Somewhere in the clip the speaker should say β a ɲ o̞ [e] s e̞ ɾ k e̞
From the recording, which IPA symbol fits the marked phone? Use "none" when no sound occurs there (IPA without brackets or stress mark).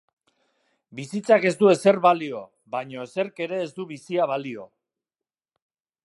e